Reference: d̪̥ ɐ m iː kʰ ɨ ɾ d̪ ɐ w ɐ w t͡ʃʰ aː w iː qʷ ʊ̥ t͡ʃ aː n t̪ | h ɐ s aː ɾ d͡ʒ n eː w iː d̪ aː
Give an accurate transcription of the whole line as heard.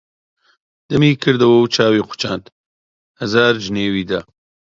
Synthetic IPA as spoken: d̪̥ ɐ m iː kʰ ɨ ɾ d̪ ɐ w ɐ w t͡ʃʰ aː w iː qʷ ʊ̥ t͡ʃ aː n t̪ | h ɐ z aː ɾ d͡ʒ n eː w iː d̪ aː